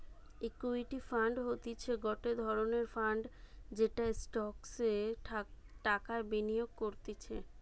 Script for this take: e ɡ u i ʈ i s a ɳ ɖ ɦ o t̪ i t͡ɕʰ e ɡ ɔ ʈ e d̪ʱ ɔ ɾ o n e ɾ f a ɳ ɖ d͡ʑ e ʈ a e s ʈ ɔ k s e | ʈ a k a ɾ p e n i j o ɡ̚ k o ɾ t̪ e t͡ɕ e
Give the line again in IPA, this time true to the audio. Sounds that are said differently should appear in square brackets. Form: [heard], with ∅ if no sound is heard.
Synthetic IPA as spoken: e [k] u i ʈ i [f] a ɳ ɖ ɦ o t̪ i t͡ɕʰ e ɡ ɔ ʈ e d̪ʱ ɔ ɾ o n e ɾ f a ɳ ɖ d͡ʑ e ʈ a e s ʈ ɔ k s e | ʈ a k a ɾ [b] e n i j o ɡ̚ k o ɾ t̪ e [t͡ɕʰ] e